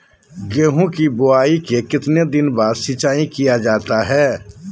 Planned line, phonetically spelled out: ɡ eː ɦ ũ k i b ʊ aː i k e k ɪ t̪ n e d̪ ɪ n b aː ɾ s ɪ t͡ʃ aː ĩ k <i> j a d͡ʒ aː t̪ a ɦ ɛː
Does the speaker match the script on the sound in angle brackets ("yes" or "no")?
yes